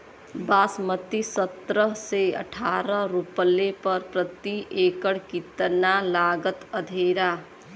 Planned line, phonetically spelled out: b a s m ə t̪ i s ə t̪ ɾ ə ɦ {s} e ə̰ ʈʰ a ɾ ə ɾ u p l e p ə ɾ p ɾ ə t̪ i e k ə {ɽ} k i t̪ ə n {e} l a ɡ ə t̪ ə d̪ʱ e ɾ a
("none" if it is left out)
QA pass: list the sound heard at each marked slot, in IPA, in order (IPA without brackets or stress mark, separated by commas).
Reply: s, ɽ, a